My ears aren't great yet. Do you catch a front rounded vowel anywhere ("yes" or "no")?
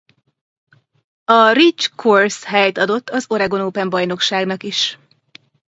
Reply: no